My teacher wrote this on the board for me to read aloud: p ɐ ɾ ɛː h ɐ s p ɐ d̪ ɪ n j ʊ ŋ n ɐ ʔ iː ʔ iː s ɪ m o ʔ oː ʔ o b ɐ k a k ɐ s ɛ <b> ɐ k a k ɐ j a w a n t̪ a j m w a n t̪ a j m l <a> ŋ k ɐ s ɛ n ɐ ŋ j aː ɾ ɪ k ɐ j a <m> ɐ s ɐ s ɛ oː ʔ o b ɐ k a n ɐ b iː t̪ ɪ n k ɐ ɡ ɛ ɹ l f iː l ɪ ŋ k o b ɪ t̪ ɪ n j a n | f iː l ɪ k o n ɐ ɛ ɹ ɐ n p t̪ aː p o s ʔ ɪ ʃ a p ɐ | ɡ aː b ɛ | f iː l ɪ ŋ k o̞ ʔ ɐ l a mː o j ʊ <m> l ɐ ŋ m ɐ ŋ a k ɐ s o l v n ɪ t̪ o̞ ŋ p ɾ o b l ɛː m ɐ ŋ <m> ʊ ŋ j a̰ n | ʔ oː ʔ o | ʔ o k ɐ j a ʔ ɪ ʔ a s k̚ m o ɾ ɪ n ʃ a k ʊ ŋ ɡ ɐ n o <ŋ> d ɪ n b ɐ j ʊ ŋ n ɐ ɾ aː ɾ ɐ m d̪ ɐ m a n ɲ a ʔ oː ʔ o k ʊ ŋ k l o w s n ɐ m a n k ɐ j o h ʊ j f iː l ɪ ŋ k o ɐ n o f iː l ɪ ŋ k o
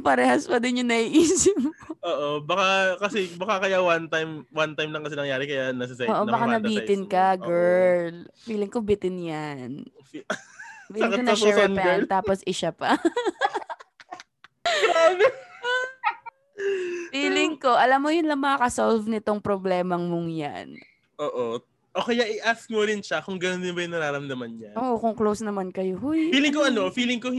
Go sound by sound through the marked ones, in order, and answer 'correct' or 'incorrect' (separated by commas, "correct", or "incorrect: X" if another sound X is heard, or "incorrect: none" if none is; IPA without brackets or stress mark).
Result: correct, incorrect: ɐ, incorrect: n, incorrect: n, correct, incorrect: n